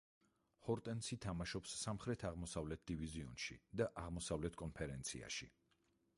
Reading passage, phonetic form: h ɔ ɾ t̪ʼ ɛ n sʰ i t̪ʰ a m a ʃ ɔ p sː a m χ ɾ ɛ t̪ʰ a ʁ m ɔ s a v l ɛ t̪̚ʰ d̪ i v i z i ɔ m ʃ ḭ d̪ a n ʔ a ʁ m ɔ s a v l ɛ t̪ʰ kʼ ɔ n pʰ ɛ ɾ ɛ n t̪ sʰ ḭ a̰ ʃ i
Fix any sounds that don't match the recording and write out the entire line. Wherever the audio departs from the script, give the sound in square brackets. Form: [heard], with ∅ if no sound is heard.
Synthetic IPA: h ɔ ɾ t̪ʼ ɛ n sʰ i t̪ʰ a m a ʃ ɔ p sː a m χ ɾ ɛ t̪ʰ a ʁ m ɔ s a v l ɛ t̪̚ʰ d̪ i v i z i ɔ [n] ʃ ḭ d̪ a [∅] ʔ a ʁ m ɔ s a v l ɛ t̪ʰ kʼ ɔ n pʰ ɛ ɾ ɛ n t̪ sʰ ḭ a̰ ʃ i

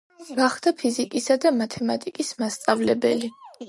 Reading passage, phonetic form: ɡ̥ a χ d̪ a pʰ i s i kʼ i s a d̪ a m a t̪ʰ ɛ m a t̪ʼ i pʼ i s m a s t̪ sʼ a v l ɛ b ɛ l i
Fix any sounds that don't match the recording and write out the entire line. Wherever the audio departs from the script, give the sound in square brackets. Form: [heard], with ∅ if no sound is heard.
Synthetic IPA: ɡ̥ a χ d̪ a pʰ i [z] i kʼ i s a d̪ a m a t̪ʰ ɛ m a t̪ʼ i [kʼ] i s m a s t̪ sʼ a v l ɛ b ɛ l i

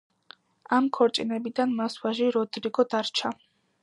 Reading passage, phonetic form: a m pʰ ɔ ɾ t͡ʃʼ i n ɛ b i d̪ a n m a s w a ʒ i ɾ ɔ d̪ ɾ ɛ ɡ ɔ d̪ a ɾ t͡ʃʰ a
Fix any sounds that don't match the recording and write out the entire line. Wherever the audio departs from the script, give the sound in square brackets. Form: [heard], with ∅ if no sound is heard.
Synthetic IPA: a m [kʰ] ɔ ɾ t͡ʃʼ i n ɛ b i d̪ a n m a s w a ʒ i ɾ ɔ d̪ ɾ [i] ɡ ɔ d̪ a ɾ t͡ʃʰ a

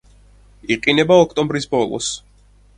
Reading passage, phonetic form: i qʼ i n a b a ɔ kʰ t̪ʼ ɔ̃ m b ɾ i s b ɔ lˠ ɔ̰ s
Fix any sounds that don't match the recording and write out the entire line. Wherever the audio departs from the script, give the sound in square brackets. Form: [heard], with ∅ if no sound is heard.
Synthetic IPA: i qʼ i n [ɛ] b a ɔ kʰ t̪ʼ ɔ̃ m b ɾ i s b ɔ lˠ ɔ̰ s

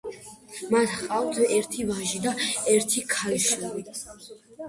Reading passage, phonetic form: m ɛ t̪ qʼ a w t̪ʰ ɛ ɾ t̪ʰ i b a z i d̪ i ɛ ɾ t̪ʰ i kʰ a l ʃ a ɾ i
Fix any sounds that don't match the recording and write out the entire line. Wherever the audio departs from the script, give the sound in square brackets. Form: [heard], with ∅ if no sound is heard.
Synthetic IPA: m [a] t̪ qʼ a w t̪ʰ ɛ ɾ t̪ʰ i [v] a [ʒ] i d̪ [a] ɛ ɾ t̪ʰ i kʰ a l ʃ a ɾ i

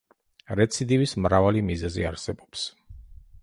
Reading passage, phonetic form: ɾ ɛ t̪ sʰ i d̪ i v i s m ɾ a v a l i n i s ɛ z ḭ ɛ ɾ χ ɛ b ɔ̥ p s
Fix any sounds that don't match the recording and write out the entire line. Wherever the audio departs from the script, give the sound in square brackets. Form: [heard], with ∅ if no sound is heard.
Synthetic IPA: ɾ ɛ t̪ sʰ i d̪ i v i s m ɾ a v a l i [m] i [z] ɛ z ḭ [a] ɾ [s] ɛ b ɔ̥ p s

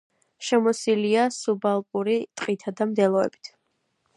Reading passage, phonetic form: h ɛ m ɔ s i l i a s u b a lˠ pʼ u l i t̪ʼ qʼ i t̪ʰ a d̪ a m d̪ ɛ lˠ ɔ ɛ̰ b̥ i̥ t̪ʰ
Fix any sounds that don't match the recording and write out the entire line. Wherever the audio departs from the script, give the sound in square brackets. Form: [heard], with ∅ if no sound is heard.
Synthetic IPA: [ʃ] ɛ m ɔ s i l i a s u b a lˠ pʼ u [ɾ] i t̪ʼ qʼ i t̪ʰ a d̪ a m d̪ ɛ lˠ ɔ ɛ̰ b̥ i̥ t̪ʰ

